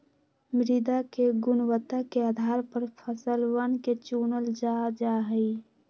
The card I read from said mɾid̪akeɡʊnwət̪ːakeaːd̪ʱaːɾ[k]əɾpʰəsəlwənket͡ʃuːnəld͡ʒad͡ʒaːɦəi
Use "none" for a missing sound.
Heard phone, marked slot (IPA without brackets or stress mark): p